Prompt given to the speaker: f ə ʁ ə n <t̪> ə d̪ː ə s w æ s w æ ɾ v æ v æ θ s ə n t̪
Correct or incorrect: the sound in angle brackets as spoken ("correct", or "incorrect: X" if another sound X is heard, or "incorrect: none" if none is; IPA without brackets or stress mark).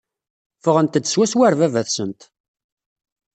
correct